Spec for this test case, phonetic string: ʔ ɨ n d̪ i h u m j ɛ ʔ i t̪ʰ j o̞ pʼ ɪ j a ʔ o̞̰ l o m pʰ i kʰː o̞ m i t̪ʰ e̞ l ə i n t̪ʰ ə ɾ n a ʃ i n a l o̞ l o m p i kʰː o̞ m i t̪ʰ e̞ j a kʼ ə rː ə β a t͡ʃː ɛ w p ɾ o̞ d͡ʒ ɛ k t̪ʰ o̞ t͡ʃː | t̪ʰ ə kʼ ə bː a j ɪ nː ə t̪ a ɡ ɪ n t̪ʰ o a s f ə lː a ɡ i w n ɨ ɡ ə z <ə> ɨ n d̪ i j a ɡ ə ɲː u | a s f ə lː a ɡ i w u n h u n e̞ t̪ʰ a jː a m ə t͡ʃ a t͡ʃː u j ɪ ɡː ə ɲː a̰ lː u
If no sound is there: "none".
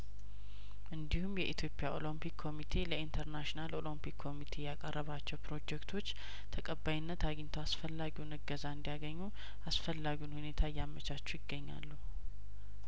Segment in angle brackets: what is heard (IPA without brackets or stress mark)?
a